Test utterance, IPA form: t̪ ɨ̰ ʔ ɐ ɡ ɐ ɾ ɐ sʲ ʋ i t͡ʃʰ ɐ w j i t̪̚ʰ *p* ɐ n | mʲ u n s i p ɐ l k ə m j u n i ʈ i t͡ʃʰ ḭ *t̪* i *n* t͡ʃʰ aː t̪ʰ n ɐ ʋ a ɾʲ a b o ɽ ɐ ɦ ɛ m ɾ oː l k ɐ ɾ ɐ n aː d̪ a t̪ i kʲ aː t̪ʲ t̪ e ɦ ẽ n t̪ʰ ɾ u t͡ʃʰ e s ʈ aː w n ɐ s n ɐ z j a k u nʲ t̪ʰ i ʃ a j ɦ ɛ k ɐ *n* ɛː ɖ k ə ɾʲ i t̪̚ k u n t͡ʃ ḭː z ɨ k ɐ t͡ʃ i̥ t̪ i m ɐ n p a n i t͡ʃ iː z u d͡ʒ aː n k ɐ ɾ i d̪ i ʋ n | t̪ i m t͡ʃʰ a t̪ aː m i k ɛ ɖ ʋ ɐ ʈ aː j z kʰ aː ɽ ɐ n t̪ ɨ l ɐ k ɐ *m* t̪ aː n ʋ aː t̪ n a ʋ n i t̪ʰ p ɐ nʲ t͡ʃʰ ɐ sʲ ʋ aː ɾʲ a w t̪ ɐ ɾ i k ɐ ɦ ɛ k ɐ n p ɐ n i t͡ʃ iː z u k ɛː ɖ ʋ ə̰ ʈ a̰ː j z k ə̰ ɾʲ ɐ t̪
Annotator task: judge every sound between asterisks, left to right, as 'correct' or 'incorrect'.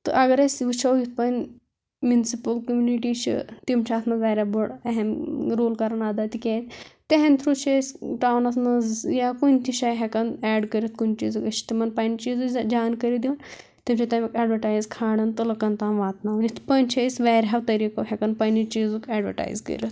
correct, correct, incorrect, correct, incorrect

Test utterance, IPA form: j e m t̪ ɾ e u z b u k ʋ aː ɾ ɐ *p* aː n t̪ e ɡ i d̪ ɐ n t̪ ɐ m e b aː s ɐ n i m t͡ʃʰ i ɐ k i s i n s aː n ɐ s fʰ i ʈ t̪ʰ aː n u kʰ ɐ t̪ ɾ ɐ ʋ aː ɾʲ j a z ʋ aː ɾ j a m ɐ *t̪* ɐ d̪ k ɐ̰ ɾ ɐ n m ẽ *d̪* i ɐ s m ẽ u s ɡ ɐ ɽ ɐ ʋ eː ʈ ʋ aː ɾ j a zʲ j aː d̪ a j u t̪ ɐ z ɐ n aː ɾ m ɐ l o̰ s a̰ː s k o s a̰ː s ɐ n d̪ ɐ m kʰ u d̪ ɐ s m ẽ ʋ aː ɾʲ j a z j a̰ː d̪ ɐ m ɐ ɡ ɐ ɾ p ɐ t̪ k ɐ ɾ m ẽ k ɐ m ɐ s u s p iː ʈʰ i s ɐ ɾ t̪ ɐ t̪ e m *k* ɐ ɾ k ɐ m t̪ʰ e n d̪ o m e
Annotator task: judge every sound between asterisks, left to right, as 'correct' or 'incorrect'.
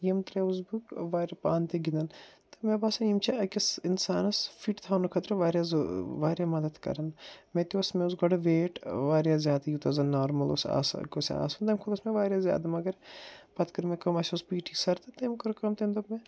correct, incorrect, incorrect, correct

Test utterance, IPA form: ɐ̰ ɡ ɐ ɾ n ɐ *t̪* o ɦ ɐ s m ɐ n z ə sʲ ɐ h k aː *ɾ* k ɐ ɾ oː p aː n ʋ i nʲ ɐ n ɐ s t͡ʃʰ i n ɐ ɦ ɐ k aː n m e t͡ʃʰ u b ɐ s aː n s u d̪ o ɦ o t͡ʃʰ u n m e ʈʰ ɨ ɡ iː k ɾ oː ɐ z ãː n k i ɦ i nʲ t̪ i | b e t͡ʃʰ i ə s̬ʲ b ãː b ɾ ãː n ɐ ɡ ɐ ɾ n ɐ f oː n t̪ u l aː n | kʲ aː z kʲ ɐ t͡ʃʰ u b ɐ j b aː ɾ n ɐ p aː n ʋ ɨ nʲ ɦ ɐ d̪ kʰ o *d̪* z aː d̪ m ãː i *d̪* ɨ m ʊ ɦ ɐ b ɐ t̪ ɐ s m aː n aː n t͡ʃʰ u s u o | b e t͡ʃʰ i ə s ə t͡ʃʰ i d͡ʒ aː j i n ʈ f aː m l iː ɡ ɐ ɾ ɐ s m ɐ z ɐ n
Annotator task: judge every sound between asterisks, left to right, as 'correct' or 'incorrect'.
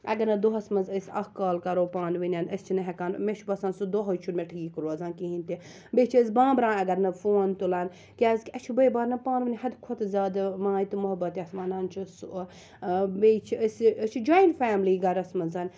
incorrect, incorrect, incorrect, incorrect

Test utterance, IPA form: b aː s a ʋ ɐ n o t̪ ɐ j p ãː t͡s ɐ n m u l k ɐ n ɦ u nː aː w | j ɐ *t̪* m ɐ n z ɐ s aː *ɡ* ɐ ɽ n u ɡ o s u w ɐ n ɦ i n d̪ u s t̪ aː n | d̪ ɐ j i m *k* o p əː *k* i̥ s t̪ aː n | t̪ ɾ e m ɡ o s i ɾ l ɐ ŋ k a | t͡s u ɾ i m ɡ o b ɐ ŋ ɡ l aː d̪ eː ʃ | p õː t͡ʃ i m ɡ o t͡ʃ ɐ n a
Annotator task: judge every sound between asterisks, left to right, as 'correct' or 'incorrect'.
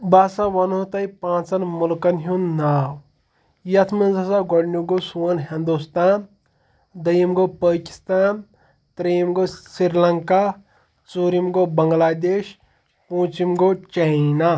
incorrect, correct, incorrect, correct

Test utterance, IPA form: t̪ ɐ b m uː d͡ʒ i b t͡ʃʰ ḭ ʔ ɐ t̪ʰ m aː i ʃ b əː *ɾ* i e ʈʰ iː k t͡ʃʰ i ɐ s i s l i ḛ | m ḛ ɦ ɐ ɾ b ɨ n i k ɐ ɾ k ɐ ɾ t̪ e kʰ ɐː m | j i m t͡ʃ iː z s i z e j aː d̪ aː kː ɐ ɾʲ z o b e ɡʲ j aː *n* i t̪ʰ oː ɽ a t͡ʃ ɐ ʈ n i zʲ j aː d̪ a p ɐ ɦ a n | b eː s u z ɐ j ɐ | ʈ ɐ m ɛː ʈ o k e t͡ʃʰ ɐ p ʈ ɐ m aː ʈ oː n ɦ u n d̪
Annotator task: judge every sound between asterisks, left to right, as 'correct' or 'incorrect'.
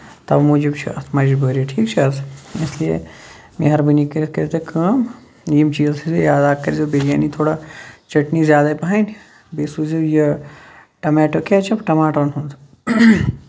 correct, correct

